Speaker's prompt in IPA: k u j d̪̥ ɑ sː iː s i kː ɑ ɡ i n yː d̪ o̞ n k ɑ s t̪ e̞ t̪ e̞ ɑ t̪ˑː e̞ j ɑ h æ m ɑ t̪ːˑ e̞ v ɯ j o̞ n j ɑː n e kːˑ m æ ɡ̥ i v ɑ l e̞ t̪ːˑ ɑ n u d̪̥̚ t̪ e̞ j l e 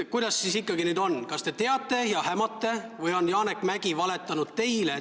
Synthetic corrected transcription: k u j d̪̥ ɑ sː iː s i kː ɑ ɡ i n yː d̪ o̞ n k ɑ s t̪ e̞ t̪ e̞ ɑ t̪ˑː e̞ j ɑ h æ m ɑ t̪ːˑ e̞ v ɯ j o̞ n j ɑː n e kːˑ m æ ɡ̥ i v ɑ l e̞ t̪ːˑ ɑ n u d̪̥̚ t̪ e̞ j l e

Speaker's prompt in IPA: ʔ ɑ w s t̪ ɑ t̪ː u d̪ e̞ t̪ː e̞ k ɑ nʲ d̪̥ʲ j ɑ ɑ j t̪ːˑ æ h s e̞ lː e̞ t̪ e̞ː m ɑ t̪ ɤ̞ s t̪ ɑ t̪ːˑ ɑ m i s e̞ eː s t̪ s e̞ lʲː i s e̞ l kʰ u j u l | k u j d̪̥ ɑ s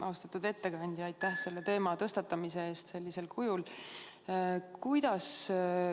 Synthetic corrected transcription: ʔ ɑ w s t̪ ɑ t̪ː u d̪ e̞ t̪ː e̞ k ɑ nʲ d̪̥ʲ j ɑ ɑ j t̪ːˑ æ h s e̞ lː e̞ t̪ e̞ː m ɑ t̪ ɤ̞ s t̪ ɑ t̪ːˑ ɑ m i s e̞ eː s t̪ s e̞ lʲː i s e̞ l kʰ u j u l | k u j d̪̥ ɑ s

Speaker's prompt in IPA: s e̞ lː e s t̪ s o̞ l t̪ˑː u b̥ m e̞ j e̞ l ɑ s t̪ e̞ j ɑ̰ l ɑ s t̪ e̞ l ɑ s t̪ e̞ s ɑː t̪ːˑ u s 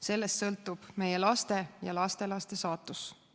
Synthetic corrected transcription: s e̞ lː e s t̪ s ɤ̞ l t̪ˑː u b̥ m e̞ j e̞ l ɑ s t̪ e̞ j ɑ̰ l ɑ s t̪ e̞ l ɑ s t̪ e̞ s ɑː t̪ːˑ u s

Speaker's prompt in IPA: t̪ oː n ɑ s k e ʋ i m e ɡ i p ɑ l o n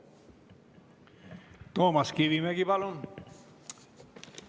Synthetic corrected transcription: t̪ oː m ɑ s k i ʋ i m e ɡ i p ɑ l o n

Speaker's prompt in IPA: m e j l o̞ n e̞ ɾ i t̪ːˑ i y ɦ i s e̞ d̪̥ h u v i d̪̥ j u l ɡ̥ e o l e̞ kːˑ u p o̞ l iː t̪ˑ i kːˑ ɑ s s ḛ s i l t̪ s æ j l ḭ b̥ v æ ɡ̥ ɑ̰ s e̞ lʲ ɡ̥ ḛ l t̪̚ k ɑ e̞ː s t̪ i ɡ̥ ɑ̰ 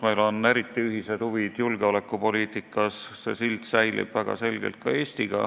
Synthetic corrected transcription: m e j l o̞ n e̞ ɾ i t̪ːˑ i y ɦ i s e̞ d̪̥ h u v i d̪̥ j u l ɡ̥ e o l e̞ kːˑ u p o̞ l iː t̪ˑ i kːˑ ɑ s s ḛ s i l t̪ s æ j l ḭ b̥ v æ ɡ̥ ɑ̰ s e̞ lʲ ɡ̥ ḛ l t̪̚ k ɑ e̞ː s t̪ i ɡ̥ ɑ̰

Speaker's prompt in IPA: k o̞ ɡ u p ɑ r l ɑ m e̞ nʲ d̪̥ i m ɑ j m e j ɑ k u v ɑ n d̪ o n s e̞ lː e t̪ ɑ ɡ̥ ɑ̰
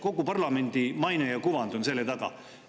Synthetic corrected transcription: k o̞ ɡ u p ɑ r l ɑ m e̞ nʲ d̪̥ i m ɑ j n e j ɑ k u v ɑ n d̪ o n s e̞ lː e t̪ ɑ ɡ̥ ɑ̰

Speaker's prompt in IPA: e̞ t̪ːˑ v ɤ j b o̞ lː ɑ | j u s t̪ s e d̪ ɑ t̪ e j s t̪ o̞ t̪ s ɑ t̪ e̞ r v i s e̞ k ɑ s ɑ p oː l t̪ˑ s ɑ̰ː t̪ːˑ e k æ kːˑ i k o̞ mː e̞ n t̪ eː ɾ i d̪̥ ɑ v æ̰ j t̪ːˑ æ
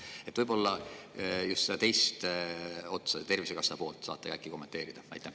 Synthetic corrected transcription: e̞ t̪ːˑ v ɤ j b o̞ lː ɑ | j u s t̪ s e d̪ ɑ t̪ e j s t̪ o̞ t̪ s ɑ t̪ e̞ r v i s e̞ k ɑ s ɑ p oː l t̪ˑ s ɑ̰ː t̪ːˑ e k æ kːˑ i k o̞ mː e̞ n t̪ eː ɾ i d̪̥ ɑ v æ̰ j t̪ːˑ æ

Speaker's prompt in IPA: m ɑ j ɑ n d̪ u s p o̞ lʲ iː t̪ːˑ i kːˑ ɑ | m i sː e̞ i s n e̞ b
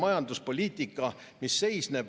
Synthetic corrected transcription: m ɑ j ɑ n d̪ u s p o̞ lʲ iː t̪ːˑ i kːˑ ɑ | m i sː e̞ j s n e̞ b

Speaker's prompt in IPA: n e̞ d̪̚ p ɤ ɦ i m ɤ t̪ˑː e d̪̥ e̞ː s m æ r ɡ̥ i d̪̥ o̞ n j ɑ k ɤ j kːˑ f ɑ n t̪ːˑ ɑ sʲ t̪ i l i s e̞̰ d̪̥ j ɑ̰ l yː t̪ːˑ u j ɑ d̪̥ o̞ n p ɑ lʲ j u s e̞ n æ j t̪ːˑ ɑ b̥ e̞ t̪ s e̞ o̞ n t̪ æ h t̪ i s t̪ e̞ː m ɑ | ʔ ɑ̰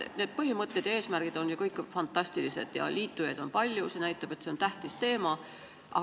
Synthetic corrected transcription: n e̞ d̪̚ p ɤ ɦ i m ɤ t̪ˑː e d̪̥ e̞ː s m æ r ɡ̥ i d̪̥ o̞ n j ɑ k ɤ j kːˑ f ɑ n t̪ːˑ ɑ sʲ t̪ i l i s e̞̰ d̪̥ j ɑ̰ l iː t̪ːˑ u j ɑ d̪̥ o̞ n p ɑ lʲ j u s e̞ n æ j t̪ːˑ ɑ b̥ e̞ t̪ s e̞ o̞ n t̪ æ h t̪ i s t̪ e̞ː m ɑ | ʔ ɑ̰

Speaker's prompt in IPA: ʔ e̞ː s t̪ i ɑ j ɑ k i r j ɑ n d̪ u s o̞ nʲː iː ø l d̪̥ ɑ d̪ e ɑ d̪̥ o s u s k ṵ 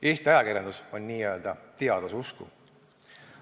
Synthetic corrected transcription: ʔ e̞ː s t̪ i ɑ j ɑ k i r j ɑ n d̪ u s o̞ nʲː iː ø l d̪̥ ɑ t̪ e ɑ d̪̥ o s u s k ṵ

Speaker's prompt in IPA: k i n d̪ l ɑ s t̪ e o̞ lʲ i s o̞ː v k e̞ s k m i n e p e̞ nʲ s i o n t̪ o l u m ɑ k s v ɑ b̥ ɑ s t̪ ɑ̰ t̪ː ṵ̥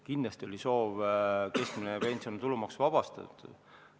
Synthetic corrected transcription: k i n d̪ l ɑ s t̪ i o̞ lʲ i s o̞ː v k e̞ s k m i n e p e̞ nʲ s i o n t̪ u l u m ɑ k s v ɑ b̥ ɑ s t̪ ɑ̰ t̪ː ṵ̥

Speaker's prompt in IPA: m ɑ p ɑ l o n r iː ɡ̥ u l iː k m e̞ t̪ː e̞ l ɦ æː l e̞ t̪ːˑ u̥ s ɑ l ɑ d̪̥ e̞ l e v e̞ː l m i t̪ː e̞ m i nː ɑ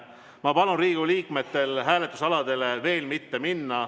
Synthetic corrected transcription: m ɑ p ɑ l u n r iː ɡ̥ u l iː k m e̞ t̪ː e̞ l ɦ æː l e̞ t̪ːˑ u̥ s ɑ l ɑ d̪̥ e̞ l e v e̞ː l m i t̪ː e̞ m i nː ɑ

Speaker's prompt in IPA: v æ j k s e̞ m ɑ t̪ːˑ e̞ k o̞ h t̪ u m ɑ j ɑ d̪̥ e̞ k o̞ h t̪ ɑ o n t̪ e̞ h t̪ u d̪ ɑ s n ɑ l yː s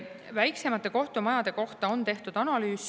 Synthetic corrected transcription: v æ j k s e̞ m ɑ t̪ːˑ e̞ k o̞ h t̪ u m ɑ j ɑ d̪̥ e̞ k o̞ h t̪ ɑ o n t̪ e̞ h t̪ u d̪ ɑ n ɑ l yː s

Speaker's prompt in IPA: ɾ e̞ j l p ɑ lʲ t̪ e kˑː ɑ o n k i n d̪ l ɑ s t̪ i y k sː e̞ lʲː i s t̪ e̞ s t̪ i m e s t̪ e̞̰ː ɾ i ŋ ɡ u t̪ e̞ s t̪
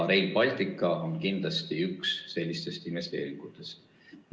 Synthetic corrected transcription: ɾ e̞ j l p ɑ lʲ t̪ i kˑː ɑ o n k i n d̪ l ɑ s t̪ i y k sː e̞ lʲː i s t̪ e̞ s t̪ i m e s t̪ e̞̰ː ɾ i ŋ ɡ u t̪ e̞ s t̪

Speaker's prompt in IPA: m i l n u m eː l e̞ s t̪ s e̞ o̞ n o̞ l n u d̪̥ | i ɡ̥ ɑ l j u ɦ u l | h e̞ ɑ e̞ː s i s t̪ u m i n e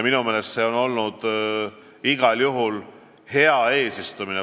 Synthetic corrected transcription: m i n u m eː l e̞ s t̪ s e̞ o̞ n o̞ l n u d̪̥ | i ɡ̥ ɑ l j u ɦ u l | h e̞ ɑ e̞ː s i s t̪ u m i n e

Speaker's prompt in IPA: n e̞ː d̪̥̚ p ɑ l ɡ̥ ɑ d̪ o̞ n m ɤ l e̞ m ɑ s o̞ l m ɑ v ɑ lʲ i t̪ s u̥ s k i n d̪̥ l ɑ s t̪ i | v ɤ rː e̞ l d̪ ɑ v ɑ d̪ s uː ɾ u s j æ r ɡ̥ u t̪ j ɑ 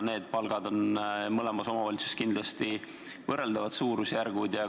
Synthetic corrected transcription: n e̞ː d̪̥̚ p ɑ l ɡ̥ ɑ d̪ o̞ n m ɤ l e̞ m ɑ s o̞ m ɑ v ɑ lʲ i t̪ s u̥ s k i n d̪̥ l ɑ s t̪ i | v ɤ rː e̞ l d̪ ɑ v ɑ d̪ s uː ɾ u s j æ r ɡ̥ u d̪ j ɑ

